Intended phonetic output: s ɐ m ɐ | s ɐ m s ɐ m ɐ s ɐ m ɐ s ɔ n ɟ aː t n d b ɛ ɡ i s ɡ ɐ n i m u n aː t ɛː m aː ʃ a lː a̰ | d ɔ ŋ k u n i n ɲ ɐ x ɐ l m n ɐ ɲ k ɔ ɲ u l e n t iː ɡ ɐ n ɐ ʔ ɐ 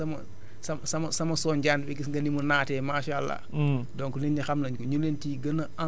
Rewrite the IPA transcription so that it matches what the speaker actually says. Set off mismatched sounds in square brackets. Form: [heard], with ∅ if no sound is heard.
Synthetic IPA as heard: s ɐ m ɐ | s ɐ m s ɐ m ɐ s ɐ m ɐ s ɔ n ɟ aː [∅] n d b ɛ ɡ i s ɡ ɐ n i m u n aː t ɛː m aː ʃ a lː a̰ | d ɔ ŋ k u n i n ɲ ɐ x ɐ [∅] m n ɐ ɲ k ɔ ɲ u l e n t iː ɡ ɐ n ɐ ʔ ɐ

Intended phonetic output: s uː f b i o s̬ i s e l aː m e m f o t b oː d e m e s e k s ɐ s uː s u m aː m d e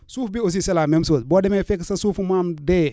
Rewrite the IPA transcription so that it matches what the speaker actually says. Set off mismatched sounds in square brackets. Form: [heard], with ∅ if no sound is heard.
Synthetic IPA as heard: s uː f b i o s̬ i s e l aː m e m [s] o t b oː d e m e [f] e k s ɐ s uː [f] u m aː m d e

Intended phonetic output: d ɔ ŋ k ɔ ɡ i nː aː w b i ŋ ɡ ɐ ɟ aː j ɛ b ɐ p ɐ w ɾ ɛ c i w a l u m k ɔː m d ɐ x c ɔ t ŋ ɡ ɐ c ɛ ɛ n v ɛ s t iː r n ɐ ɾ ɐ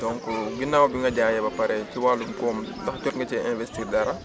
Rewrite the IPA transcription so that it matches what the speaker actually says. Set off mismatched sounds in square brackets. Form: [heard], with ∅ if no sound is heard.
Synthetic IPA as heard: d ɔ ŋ k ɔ ɡ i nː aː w b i ŋ ɡ ɐ ɟ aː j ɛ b ɐ p ɐ [∅] ɾ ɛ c i w a l u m k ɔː m d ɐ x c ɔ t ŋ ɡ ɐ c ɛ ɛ n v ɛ s t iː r [d] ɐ ɾ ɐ

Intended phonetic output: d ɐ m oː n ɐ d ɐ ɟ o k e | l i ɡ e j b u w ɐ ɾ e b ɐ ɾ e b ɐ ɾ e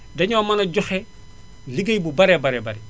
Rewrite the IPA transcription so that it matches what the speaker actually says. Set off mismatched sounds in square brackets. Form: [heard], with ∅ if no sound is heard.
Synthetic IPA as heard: d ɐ [ɲ] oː [m] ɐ [n] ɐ ɟ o [x] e | l i ɡ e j b u [b] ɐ ɾ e b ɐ ɾ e b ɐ ɾ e

